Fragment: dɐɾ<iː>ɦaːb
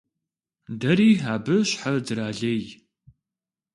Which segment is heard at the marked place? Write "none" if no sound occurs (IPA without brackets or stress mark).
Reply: iː